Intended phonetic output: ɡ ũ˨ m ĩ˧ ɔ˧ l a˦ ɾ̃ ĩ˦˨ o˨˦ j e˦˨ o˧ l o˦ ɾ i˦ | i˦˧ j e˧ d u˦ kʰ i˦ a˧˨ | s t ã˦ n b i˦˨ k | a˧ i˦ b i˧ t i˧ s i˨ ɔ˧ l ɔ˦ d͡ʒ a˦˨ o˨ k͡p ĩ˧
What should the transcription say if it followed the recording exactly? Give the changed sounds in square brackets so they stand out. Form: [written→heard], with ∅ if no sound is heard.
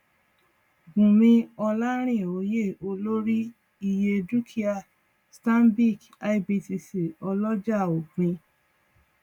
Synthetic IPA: ɡ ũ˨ m ĩ˧ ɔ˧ l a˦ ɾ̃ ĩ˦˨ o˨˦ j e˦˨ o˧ l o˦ ɾ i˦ | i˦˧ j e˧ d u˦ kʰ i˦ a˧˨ | s t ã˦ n b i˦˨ k | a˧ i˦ b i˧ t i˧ s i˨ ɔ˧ l ɔ˦ d͡ʒ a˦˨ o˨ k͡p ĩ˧